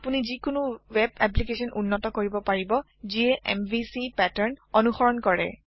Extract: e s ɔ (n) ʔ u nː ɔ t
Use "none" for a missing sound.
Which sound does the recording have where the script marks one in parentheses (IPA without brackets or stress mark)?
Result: n